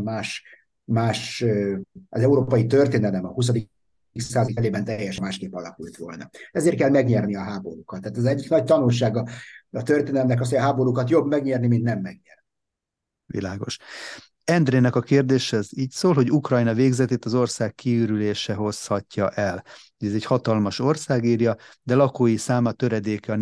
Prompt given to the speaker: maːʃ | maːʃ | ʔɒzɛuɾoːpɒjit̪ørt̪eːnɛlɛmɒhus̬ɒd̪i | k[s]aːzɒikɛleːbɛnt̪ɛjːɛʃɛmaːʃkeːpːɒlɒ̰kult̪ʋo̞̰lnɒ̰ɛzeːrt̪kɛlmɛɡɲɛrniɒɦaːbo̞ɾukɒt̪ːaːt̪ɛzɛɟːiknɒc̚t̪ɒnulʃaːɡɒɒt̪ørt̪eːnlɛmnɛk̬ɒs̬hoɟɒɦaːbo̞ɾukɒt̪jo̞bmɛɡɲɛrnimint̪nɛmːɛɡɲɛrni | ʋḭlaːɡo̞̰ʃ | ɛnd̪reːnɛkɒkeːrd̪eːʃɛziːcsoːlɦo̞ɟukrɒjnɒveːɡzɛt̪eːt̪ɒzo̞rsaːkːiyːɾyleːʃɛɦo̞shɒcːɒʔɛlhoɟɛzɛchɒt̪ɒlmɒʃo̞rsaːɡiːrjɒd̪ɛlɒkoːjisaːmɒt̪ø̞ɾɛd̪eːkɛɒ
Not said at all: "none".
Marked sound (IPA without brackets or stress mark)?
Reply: s